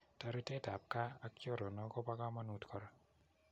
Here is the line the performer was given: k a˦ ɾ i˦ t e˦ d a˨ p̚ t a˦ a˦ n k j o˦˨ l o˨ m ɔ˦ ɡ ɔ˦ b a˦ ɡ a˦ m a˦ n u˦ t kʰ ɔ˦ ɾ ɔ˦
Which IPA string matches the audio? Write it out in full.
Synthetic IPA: t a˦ ɾ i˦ t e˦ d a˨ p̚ k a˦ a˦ k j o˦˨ ɾ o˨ n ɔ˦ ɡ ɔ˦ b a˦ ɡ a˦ m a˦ n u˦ t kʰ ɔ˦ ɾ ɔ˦